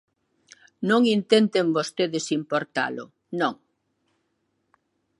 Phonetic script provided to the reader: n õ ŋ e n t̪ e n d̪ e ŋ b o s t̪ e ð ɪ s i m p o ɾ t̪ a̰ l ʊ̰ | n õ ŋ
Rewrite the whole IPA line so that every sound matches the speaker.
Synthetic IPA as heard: n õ ŋ i n t̪ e n t̪ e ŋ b o s t̪ e ð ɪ s i m p o ɾ t̪ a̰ l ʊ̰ | n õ ŋ